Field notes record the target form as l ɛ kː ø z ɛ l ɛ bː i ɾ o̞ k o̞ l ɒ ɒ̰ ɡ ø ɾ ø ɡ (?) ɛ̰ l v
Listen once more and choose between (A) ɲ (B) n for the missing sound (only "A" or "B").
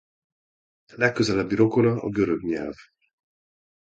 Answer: A